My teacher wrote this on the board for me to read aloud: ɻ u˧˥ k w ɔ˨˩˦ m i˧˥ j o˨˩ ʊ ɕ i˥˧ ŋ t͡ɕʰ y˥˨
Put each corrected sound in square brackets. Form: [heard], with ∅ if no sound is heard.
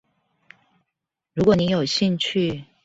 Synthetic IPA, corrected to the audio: ɻ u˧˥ k w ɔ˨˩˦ [n] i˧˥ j o˨˩ ʊ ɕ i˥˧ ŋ t͡ɕʰ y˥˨